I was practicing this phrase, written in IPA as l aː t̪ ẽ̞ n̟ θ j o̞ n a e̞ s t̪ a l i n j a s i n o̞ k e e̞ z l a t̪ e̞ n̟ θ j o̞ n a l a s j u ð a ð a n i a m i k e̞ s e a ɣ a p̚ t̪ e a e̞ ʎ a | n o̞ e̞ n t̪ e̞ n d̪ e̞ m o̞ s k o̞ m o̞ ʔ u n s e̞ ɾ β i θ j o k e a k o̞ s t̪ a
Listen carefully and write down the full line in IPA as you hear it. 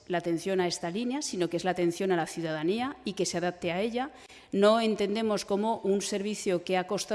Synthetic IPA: l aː t̪ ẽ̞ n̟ θ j o̞ n a e̞ s t̪ a l i n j a s i n o̞ k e e̞ z l a t̪ e̞ n̟ θ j o̞ n a l a θ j u ð a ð a n i a i k e̞ s e a ð a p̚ t̪ e a e̞ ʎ a | n o̞ e̞ n t̪ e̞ n d̪ e̞ m o̞ s k o̞ m o̞ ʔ u n s e̞ ɾ β i θ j o k e a k o̞ s t̪ a